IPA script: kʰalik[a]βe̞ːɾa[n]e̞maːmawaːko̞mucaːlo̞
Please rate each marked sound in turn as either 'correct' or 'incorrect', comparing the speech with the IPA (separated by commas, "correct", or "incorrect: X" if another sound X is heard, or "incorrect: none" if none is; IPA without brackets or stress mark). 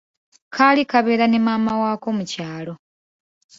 correct, correct